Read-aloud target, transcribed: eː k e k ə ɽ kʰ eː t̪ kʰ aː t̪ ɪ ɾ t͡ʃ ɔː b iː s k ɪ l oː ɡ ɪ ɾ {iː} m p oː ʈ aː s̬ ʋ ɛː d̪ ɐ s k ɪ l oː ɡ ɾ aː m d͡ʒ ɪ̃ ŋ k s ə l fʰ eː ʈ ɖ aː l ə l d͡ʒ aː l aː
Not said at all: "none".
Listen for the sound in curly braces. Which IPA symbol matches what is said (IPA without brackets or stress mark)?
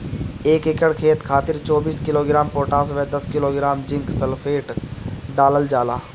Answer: aː